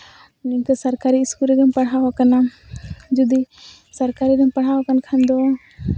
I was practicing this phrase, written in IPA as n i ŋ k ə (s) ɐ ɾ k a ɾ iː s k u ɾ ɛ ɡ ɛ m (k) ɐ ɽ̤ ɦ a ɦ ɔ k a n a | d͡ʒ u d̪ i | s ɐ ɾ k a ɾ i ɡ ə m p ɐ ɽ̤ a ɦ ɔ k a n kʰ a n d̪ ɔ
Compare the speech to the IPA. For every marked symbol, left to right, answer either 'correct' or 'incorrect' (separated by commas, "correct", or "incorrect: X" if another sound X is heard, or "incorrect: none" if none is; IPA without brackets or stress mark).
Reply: correct, incorrect: p